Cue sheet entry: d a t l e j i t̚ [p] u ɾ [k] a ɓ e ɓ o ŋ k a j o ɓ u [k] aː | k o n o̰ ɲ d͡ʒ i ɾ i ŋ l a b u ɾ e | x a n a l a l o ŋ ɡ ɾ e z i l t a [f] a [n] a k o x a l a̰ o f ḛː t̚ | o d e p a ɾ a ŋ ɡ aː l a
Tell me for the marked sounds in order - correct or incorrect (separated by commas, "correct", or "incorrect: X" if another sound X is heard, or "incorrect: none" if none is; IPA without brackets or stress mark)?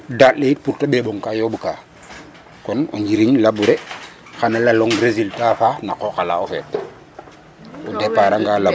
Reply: correct, incorrect: t, correct, correct, correct